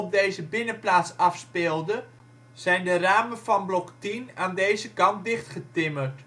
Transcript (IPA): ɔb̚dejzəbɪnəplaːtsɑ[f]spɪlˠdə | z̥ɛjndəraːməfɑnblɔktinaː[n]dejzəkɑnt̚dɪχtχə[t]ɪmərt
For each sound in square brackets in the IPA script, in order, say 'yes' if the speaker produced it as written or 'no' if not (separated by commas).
yes, yes, yes